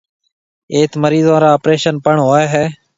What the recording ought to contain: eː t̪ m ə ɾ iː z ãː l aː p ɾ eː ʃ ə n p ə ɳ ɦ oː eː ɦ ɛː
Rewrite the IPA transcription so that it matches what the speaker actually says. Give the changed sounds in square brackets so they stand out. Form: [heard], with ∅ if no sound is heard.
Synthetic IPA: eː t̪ m ə ɾ iː z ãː [ɾ] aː p ɾ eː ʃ ə n p ə ɳ ɦ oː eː ɦ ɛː